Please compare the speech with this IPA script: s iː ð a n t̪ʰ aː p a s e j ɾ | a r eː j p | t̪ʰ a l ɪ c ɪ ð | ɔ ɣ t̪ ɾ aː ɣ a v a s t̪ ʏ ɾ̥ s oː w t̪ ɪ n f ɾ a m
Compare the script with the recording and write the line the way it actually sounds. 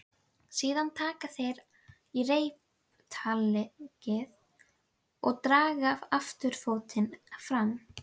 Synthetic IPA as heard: s iː ð a n t̪ʰ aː k a θ e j ɾ | i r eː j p | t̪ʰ a l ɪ c ɪ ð | ɔ ɣ t̪ ɾ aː ɣ a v a f t̪ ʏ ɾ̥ f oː w t̪ ɪ n f ɾ a m